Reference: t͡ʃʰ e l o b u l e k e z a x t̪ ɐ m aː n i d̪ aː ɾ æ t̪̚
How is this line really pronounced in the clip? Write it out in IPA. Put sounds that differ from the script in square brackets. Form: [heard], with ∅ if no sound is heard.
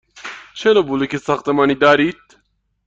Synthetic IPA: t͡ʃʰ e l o b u l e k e [s] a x t̪ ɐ m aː n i d̪ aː ɾ [i] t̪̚